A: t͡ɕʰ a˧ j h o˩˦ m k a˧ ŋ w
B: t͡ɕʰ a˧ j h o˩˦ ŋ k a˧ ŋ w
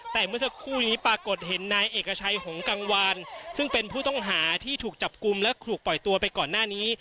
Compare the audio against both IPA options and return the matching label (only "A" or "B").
B